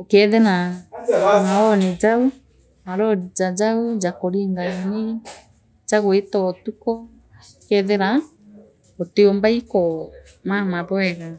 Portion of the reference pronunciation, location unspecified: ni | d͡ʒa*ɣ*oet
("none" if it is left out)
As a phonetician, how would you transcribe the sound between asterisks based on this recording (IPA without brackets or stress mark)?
ɣ